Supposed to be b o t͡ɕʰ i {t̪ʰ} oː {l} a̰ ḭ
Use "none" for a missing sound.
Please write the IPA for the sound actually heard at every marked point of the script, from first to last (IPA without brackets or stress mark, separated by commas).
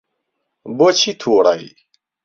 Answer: t̪ʰ, ɽ